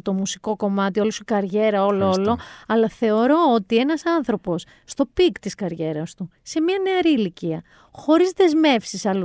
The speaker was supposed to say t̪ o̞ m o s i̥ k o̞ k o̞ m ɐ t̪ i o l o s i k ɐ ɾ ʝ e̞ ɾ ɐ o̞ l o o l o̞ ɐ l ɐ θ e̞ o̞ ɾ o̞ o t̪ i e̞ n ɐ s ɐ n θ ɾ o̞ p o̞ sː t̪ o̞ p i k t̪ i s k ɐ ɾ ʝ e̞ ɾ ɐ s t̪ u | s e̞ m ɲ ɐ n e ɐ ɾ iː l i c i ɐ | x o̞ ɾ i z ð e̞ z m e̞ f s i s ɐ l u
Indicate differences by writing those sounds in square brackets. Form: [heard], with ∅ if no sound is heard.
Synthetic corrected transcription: t̪ o̞ m [u] s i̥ k o̞ k o̞ m ɐ t̪ i o l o s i k ɐ ɾ ʝ e̞ ɾ ɐ o̞ l o o l o̞ ɐ l ɐ θ e̞ o̞ ɾ o̞ o t̪ i e̞ n ɐ s ɐ n θ ɾ o̞ p o̞ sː t̪ o̞ p i k t̪ i s k ɐ ɾ ʝ e̞ ɾ ɐ s t̪ u | s e̞ m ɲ ɐ n e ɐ ɾ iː l i c i ɐ | x o̞ ɾ i z ð e̞ z m e̞ f s i s ɐ l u